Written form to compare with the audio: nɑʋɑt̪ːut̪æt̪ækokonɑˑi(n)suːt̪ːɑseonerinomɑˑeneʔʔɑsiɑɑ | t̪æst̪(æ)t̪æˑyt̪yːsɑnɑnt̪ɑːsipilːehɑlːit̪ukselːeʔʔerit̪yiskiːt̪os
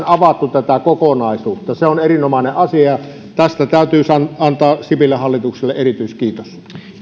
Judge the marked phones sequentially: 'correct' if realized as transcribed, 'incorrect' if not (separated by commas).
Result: incorrect, correct